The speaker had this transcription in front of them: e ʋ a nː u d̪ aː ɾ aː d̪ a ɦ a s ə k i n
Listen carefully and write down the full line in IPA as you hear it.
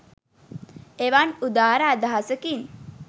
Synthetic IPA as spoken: e ʋ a n u d̪ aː ɾ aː d̪ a ɦ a s ə k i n